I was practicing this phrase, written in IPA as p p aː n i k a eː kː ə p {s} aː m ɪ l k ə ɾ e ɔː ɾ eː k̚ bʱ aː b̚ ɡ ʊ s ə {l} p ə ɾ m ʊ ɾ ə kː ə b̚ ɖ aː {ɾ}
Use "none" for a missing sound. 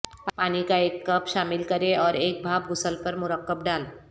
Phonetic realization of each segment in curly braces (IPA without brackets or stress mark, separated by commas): ʃ, l, l